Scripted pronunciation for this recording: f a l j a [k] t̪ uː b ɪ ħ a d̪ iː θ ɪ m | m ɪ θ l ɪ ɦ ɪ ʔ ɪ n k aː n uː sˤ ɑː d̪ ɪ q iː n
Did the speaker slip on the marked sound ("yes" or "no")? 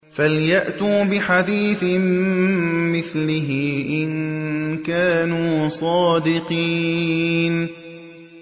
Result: yes